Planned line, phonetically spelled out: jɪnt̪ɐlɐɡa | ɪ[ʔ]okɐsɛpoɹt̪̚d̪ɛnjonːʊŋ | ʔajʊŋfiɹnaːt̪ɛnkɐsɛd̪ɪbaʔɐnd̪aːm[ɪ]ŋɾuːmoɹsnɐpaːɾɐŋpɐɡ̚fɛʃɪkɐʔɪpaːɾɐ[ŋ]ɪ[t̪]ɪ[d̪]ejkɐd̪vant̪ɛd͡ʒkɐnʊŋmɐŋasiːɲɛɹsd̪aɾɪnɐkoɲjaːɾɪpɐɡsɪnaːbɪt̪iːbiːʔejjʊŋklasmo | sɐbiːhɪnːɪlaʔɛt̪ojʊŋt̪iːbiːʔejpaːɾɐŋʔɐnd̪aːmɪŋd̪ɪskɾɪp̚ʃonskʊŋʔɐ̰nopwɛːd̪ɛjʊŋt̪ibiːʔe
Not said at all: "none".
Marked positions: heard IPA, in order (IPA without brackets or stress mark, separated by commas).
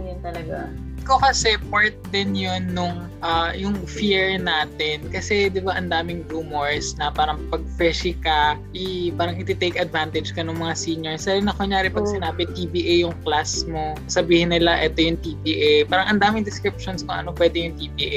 k, ɪ, ŋ, t̪, t̪